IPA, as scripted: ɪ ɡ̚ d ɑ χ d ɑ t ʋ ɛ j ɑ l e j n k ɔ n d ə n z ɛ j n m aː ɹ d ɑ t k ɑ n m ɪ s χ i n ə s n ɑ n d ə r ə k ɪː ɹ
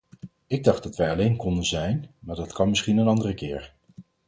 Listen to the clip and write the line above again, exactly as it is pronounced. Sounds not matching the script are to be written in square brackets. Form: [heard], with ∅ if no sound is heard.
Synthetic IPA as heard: ɪ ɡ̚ d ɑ χ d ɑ t ʋ ɛ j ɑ l e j n k ɔ n d ə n z ɛ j n m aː ɹ d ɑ t k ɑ n m ɪ s χ i n ə [∅] n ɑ n d ə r ə k ɪː ɹ